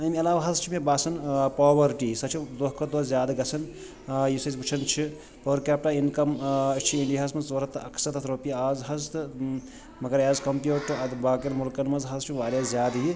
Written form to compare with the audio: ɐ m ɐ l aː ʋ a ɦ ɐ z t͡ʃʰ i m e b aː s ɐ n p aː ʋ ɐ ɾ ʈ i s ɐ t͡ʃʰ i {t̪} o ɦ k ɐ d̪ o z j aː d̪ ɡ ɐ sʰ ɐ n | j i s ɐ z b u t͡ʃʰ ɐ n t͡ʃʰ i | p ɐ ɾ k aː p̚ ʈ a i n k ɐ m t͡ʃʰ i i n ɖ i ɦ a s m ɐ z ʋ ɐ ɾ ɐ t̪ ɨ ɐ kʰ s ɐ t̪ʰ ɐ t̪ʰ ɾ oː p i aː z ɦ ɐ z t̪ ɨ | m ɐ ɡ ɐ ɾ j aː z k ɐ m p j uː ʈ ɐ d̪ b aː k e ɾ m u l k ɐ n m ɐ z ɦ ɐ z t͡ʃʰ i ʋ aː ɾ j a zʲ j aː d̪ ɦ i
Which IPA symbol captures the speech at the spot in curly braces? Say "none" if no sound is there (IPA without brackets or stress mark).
d̪